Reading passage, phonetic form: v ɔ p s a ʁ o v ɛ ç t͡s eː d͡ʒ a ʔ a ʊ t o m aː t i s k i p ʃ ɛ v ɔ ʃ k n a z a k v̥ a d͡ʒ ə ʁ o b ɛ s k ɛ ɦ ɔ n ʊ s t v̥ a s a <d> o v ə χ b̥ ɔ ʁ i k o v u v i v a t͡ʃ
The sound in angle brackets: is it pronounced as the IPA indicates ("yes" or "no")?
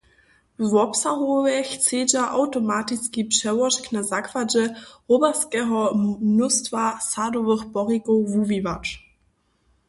yes